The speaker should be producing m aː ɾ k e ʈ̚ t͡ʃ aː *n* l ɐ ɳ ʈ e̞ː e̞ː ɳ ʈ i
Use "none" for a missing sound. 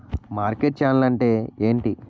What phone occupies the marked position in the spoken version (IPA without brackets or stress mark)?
n